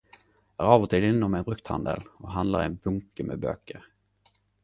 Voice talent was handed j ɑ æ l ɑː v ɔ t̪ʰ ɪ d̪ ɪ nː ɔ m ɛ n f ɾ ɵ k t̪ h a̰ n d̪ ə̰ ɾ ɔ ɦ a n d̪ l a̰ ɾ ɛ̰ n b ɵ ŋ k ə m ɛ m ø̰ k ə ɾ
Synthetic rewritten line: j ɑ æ ɾ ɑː v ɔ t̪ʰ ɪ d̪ ɪ nː ɔ m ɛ n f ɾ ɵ k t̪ h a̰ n d̪ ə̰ l ɔ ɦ a n d̪ l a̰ ɾ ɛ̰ n b ɵ ŋ k ə m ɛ b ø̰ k ə ɾ